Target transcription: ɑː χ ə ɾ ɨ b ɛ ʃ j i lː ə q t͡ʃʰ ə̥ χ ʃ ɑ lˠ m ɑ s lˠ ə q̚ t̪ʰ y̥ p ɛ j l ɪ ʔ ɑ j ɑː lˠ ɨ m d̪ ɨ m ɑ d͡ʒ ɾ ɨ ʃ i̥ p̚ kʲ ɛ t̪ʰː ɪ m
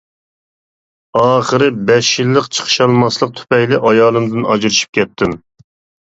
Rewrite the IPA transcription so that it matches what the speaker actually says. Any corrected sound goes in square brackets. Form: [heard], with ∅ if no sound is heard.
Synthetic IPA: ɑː χ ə ɾ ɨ b ɛ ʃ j i lː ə q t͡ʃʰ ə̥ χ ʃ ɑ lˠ m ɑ s lˠ ə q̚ t̪ʰ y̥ p ɛ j l ɪ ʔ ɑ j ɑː lˠ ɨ m d̪ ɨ [n] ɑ d͡ʒ ɾ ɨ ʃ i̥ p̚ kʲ ɛ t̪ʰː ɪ m